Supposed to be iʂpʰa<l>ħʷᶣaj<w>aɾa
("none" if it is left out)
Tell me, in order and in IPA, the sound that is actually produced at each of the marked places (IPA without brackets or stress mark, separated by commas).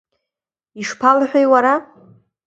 l, w